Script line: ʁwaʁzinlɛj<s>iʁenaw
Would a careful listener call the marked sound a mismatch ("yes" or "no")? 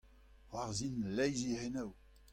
yes